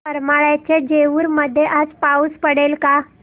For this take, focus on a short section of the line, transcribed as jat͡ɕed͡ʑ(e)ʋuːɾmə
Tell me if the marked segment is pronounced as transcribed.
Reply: yes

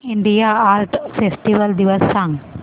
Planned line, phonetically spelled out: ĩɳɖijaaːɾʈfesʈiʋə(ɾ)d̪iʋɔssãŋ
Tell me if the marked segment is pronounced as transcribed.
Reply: no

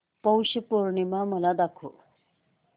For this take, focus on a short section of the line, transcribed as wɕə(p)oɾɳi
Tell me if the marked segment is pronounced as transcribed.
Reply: yes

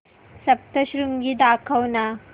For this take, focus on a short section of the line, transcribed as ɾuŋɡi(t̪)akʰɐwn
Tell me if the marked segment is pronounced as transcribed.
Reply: no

